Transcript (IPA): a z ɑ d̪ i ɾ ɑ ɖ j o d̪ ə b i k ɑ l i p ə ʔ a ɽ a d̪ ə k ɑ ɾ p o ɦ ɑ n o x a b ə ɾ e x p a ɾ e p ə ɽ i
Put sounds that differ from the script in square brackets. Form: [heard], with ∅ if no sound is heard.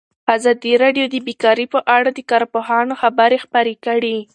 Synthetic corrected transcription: a z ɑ d̪ i ɾ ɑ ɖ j o d̪ ə b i k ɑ [ɾ] i p ə ʔ a ɽ a d̪ ə k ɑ ɾ p o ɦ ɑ n o x a b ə ɾ e x p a ɾ e [k] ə ɽ i